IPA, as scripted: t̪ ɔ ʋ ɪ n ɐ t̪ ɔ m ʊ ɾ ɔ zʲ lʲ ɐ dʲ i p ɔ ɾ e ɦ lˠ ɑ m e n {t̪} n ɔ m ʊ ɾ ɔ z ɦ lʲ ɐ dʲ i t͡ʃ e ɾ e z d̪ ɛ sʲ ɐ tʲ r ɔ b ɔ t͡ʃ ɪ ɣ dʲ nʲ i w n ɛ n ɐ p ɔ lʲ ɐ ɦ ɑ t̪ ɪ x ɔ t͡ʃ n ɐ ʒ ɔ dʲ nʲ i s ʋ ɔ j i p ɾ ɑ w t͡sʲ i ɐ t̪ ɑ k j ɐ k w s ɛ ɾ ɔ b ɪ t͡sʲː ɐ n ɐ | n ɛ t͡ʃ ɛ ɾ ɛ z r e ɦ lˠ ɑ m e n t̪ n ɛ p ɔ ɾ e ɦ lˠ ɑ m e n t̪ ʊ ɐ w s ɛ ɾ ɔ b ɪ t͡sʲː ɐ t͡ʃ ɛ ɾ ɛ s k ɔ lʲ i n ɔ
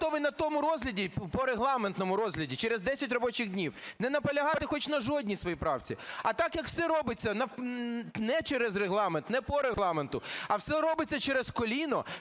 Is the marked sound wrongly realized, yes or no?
no